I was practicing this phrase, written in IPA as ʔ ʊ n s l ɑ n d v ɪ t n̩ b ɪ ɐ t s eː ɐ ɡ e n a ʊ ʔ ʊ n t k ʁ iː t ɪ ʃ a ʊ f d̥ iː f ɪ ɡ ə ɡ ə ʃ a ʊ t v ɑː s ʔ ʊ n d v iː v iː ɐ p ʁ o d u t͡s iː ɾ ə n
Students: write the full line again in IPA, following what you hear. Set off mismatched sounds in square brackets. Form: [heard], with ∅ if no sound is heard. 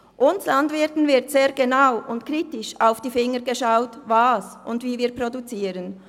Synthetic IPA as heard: ʔ ʊ n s l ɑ n d v ɪ t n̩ [v] ɪ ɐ t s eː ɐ ɡ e n a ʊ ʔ ʊ n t k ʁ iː t ɪ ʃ a ʊ f d̥ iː f ɪ [ŋ] ə ɡ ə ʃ a ʊ t v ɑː s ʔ ʊ n d v iː v iː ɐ p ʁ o d u t͡s iː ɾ ə n